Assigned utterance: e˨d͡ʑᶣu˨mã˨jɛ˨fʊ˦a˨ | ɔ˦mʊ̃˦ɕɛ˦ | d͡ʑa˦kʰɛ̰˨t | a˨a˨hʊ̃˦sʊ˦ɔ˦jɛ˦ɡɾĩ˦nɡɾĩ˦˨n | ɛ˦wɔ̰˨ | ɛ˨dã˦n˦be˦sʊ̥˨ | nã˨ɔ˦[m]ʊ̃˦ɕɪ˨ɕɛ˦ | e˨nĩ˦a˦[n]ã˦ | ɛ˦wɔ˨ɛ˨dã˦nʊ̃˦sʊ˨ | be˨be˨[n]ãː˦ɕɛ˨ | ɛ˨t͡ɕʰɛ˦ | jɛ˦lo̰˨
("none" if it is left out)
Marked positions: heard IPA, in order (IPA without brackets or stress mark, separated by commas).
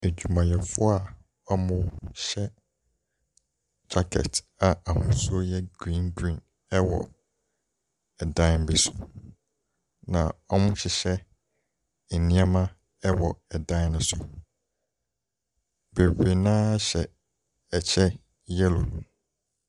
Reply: m, m, n